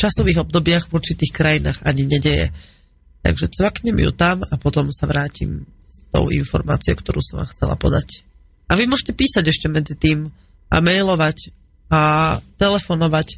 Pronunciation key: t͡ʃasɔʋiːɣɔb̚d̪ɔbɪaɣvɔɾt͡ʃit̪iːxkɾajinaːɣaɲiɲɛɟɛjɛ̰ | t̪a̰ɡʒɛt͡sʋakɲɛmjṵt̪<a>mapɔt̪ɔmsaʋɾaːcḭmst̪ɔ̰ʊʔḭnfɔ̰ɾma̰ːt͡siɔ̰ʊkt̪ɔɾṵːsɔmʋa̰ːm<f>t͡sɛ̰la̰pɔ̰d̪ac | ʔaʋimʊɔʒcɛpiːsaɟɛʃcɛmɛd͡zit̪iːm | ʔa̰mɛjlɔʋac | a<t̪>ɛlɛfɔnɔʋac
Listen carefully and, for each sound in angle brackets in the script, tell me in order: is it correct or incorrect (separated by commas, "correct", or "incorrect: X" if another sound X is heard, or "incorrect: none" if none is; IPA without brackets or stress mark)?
correct, incorrect: x, correct